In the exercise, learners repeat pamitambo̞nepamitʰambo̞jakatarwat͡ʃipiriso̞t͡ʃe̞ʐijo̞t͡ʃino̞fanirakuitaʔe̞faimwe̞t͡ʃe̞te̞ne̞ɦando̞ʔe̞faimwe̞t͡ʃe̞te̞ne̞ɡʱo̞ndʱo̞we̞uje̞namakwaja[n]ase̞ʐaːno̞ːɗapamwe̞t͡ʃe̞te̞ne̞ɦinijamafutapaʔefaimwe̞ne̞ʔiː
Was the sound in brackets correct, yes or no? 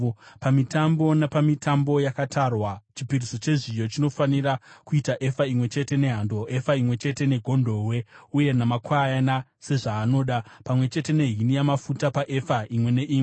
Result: yes